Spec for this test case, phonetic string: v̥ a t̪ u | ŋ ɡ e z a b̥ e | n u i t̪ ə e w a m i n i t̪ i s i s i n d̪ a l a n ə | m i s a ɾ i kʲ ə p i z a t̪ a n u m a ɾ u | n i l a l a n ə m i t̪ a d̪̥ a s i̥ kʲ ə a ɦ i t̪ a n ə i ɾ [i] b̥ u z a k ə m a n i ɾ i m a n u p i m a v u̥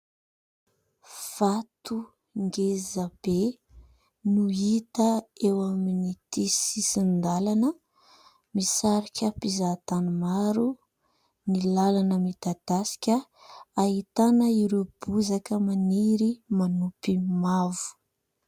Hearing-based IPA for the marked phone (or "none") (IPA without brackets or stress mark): e